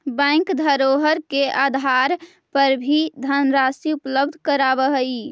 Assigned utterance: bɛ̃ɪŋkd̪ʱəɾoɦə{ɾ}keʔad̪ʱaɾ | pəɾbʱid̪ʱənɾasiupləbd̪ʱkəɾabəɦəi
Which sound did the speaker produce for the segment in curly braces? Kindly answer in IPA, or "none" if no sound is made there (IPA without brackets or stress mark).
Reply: ɾ